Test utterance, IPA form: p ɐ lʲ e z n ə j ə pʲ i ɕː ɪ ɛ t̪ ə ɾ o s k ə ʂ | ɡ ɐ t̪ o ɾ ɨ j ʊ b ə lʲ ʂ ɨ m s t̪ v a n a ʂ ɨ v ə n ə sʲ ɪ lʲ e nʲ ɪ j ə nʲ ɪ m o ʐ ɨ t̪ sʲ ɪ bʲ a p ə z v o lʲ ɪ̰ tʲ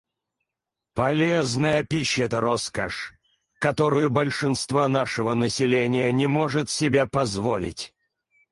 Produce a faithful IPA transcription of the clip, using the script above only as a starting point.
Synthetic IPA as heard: p ɐ lʲ e z n ə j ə pʲ i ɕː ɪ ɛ t̪ ə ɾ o s k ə ʂ | k ɐ t̪ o ɾ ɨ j ʊ b ə lʲ ʂ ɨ n s t̪ v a n a ʂ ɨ v ə n ə sʲ ɪ lʲ e nʲ ɪ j ə nʲ ɪ m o ʐ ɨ t̪ sʲ ɪ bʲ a p ɐ z v o lʲ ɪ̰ tʲ